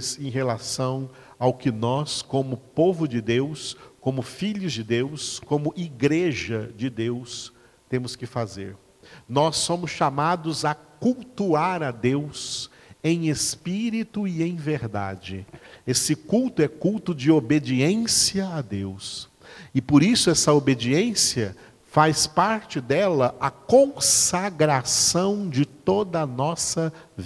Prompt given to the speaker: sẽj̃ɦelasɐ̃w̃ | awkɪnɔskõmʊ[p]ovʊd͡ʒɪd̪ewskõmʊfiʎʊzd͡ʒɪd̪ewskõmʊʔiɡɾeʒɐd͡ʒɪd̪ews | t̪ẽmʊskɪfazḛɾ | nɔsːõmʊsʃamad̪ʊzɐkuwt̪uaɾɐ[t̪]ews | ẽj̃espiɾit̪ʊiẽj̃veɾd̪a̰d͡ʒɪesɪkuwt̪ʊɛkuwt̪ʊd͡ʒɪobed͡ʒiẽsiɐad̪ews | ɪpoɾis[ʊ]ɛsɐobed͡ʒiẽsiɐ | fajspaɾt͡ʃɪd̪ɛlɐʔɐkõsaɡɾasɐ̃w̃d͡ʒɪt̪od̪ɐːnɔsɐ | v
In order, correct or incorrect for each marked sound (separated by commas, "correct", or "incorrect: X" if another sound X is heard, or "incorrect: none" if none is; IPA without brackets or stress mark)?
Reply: correct, incorrect: d̪, correct